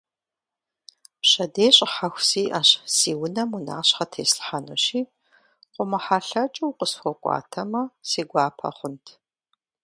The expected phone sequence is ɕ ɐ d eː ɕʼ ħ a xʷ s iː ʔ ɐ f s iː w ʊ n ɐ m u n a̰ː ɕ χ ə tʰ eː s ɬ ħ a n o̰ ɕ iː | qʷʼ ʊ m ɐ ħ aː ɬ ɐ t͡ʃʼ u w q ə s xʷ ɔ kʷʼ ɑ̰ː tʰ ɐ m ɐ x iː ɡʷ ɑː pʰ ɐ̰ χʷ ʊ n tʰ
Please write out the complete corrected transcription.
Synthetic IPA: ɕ ɐ d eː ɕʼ ħ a xʷ s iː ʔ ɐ ɕ s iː w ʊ n ɐ m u n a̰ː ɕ χ ɐ tʰ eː s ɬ ħ a n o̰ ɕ iː | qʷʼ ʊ m ɐ ħ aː ɬ ɐ t͡ʃʼ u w q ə s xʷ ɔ kʷʼ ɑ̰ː tʰ ɐ m ɐ s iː ɡʷ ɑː pʰ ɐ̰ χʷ ʊ n tʰ